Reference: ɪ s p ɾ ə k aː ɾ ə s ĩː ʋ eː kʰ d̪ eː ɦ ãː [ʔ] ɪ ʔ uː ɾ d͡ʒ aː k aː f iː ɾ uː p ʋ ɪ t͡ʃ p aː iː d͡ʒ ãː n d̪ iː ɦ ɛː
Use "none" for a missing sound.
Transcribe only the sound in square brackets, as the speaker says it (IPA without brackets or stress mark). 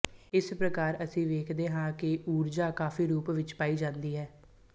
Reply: k